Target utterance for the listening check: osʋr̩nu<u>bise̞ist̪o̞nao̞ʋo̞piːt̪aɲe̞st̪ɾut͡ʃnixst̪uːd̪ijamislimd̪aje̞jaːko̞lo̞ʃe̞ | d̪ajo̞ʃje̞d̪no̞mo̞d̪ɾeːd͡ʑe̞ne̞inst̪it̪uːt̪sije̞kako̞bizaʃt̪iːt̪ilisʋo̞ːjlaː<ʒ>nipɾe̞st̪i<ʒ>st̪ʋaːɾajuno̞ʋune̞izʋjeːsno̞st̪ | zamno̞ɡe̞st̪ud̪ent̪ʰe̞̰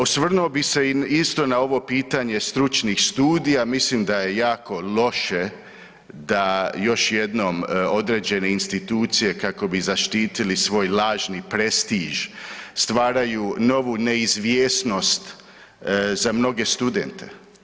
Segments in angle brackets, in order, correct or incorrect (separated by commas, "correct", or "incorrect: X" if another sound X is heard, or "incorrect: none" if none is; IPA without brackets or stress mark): incorrect: o, correct, correct